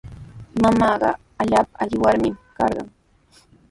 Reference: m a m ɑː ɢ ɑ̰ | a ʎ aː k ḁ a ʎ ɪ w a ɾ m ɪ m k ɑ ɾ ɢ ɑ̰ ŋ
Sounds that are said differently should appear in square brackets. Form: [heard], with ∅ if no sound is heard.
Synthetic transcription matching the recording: m a m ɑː ɢ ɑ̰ | a ʎ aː [p] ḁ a ʎ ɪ w a ɾ m ɪ m k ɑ ɾ ɢ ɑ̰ ŋ